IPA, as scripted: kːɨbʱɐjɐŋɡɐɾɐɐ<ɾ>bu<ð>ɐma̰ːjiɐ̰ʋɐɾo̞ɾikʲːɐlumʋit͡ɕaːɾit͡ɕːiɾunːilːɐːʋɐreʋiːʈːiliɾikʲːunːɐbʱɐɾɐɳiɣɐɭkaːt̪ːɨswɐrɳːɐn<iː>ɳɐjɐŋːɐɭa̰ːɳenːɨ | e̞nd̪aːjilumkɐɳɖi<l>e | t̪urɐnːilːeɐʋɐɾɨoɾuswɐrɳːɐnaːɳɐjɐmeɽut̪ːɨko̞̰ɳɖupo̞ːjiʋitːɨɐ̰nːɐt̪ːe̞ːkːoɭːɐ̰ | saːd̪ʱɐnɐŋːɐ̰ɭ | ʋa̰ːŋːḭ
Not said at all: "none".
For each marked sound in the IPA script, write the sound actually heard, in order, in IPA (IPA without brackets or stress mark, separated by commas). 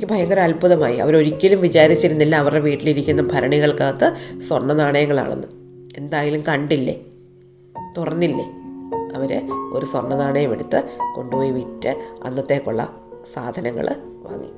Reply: l, ð, aː, lː